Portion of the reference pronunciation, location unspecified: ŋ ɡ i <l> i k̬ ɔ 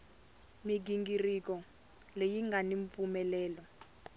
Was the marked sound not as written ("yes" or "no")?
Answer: yes